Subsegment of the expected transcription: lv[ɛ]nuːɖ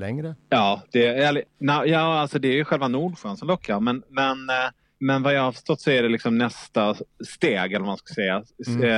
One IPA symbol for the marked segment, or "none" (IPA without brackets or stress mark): a